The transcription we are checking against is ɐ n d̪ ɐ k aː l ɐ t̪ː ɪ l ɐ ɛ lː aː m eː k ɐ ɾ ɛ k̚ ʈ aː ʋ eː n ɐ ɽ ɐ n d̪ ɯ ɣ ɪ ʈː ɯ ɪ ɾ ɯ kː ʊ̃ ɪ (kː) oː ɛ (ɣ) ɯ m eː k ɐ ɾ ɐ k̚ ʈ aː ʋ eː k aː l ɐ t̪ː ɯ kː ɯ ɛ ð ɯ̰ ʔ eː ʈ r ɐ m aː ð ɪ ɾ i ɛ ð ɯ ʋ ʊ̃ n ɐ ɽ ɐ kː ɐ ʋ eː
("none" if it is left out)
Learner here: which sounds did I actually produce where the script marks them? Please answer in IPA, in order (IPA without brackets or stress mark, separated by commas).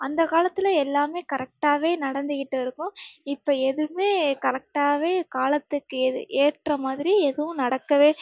pː, ð